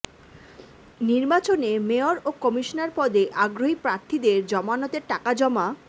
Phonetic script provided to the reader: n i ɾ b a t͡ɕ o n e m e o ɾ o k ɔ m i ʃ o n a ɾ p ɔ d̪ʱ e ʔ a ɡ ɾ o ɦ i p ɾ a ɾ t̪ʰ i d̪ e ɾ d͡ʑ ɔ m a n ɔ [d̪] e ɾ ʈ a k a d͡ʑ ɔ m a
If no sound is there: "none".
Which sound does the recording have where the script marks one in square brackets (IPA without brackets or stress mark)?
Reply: t̪